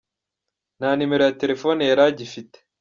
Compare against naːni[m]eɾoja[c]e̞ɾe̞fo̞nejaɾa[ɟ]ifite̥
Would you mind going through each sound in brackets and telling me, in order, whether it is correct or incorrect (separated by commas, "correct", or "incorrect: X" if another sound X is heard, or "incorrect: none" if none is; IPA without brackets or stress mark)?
correct, incorrect: t, correct